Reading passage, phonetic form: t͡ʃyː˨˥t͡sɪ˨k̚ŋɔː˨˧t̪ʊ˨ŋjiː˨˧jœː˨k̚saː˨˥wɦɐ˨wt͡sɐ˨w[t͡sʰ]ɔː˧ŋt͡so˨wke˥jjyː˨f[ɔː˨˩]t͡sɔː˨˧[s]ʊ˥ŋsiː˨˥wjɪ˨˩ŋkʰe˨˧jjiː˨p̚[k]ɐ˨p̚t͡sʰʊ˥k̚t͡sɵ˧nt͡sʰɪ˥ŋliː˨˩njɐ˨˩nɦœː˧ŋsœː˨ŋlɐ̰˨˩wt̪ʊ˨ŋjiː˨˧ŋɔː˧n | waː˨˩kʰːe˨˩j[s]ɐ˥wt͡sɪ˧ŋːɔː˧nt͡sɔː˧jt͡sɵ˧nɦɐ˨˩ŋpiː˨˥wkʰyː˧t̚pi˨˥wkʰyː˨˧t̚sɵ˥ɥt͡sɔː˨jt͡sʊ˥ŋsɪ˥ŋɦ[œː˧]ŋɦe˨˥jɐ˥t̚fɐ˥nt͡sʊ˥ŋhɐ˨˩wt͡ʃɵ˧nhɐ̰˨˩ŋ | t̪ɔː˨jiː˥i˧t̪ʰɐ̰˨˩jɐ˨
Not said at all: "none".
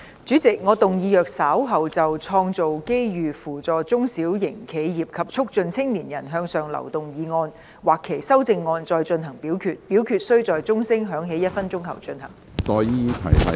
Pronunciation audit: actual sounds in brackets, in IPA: t͡sʰ, uː˨˩, t͡s, kʰ, s, œː˨˥

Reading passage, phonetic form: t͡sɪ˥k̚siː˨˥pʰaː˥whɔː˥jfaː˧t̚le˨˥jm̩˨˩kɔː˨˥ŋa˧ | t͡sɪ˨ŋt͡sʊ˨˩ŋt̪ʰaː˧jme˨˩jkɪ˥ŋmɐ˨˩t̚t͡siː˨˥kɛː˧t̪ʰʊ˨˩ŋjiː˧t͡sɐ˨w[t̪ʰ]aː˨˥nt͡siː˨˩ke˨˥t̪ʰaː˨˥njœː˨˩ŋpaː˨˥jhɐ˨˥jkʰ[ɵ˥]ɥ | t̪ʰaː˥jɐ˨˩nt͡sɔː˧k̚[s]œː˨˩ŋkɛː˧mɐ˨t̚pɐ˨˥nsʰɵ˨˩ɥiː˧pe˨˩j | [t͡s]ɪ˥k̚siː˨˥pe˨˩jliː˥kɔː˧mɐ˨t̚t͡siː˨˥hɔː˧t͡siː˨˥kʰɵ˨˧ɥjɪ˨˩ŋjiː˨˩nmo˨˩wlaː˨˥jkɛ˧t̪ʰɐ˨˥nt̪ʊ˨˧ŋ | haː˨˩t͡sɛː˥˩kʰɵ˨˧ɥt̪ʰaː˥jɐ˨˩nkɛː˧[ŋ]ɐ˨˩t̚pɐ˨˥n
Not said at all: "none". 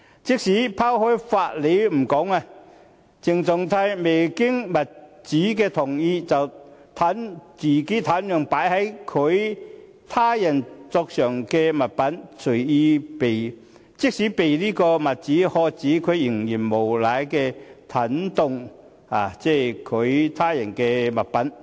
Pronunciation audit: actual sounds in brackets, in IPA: t̪ʰ, ɵ˨˧, s, t͡s, m

